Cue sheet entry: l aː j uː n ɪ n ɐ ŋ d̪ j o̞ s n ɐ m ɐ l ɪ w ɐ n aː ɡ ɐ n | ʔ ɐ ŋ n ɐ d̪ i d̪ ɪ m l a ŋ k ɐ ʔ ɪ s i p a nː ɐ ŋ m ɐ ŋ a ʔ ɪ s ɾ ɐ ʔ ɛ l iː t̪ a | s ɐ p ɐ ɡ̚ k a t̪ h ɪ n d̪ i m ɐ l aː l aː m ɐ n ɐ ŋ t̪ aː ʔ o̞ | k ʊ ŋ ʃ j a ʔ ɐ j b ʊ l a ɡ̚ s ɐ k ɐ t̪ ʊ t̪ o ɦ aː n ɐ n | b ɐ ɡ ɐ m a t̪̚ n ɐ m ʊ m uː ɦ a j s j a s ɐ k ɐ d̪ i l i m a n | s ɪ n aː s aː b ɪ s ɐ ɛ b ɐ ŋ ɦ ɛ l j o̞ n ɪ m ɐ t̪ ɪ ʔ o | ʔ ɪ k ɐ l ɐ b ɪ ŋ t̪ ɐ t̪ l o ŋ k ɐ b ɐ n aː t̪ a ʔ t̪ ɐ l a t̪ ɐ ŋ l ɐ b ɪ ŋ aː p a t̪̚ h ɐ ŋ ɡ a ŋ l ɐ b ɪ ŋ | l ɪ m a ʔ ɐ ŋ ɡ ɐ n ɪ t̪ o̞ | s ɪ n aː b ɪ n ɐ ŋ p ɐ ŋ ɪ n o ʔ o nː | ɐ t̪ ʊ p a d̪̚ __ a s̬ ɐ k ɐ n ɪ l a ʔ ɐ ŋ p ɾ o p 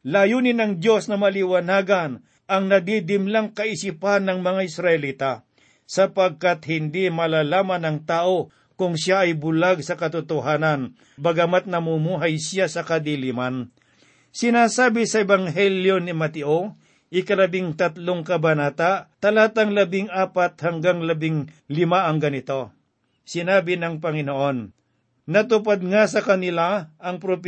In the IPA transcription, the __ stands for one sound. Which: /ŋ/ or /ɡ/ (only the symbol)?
ŋ